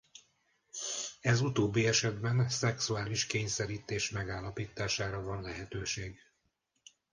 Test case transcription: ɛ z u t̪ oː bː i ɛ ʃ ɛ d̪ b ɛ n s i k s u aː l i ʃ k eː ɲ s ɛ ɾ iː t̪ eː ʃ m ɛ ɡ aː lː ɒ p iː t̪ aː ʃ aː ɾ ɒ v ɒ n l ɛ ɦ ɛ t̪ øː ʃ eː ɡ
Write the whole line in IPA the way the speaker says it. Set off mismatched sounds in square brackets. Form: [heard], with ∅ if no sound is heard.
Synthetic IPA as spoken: ɛ z u t̪ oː bː i ɛ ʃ ɛ d̪ b ɛ n s [ɛ] k s u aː l i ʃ k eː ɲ s ɛ ɾ iː t̪ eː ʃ m ɛ ɡ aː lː ɒ p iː t̪ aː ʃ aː ɾ ɒ v ɒ n l ɛ ɦ ɛ t̪ øː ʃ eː ɡ